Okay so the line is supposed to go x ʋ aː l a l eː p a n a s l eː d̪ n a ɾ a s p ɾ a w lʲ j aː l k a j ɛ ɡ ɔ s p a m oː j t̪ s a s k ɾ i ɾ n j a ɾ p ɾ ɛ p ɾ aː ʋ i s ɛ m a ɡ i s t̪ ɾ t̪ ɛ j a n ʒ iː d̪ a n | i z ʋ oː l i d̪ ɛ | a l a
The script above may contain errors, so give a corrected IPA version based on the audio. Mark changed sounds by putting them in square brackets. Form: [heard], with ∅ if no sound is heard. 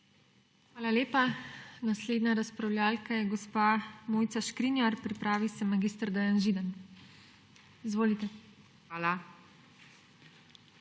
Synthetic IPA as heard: x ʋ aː l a l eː p a n a s l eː d̪ n a ɾ a s p ɾ a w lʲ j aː l k a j ɛ ɡ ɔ s p a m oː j t̪ s a [ʃ] k ɾ i [∅] n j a ɾ p ɾ [i] p ɾ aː ʋ i s ɛ m a ɡ i s t̪ ɾ [d̪] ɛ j a n ʒ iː d̪ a n | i z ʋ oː l i [t̪] ɛ | a l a